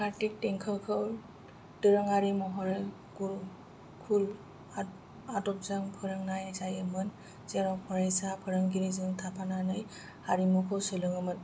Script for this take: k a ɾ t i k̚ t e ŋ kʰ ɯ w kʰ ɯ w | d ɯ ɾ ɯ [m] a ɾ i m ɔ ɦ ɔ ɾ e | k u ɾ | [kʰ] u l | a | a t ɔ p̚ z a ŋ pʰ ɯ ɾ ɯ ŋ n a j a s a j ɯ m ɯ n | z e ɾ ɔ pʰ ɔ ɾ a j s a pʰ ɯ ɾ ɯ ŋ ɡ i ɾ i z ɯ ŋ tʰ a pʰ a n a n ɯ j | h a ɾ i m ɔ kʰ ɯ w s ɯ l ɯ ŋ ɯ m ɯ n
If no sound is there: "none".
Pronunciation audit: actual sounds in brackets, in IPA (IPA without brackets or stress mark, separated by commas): ŋ, kʰ